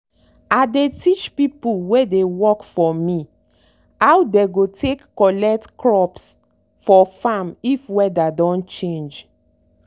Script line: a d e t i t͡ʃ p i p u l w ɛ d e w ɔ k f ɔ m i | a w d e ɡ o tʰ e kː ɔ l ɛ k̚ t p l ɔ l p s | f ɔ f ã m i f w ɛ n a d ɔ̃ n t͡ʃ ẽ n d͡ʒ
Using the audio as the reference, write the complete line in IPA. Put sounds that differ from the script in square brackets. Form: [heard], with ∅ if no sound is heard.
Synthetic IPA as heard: a d e t i t͡ʃ p i p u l w [e] d e w ɔ k f ɔ m i | a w d e ɡ o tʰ e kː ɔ l ɛ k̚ t [k] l ɔ [∅] p s | f ɔ f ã m i f w ɛ [d] a d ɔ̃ n t͡ʃ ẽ n d͡ʒ